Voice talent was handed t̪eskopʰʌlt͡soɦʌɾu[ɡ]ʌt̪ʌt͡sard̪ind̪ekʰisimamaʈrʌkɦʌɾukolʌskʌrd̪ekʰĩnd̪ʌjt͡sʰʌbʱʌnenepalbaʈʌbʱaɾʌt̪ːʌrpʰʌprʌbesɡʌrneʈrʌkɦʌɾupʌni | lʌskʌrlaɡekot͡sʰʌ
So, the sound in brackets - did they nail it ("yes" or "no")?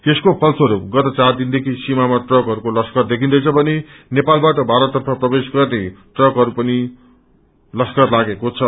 yes